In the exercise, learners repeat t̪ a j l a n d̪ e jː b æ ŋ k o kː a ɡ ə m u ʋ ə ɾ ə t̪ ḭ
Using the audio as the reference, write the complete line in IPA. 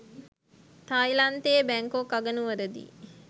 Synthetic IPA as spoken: t̪ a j l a n t̪ e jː b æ ŋ k o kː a ɡ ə n u ʋ ə ɾ ə d̪ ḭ